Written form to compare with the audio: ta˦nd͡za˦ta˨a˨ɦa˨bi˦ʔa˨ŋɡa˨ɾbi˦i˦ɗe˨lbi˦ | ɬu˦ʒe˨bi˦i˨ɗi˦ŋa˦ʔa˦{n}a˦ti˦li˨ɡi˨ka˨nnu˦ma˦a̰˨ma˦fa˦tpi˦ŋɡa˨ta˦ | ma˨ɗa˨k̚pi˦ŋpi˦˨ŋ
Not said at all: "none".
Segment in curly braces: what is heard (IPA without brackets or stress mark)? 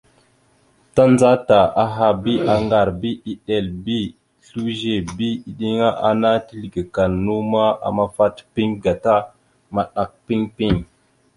n